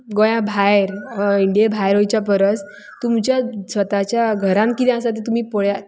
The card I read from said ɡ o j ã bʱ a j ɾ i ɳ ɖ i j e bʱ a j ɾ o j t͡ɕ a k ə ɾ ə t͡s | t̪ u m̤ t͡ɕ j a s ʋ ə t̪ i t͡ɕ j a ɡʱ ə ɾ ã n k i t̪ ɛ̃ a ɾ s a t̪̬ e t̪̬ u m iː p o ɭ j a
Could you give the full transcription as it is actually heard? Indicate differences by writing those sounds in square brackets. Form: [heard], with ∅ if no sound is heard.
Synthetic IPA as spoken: ɡ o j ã bʱ a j ɾ i ɳ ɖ i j e bʱ a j ɾ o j t͡ɕ a [p] ə ɾ ə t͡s | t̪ u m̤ t͡ɕ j a s ʋ ə t̪ [a] t͡ɕ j a ɡʱ ə ɾ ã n k i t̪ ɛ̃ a [∅] s a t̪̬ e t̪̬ u m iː p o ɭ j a